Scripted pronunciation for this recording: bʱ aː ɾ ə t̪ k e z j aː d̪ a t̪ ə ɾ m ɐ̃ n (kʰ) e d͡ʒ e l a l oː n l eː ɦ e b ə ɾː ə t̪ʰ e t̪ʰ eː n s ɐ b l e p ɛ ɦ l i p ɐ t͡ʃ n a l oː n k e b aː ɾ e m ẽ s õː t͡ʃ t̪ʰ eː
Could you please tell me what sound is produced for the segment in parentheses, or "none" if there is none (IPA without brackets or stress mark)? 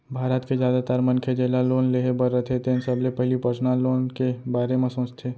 kʰ